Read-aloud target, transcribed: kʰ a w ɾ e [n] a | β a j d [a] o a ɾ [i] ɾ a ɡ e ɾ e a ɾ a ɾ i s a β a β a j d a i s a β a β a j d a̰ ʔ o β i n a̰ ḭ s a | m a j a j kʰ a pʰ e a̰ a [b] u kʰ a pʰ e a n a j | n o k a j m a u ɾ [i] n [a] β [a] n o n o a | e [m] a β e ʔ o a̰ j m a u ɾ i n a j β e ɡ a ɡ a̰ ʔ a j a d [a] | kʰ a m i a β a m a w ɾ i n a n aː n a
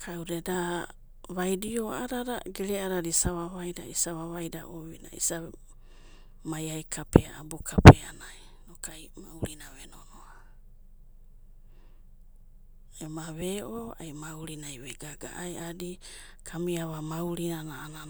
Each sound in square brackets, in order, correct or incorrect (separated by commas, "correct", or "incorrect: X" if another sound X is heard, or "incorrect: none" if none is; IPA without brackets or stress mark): incorrect: d, incorrect: i, incorrect: a, correct, correct, correct, incorrect: e, correct, incorrect: i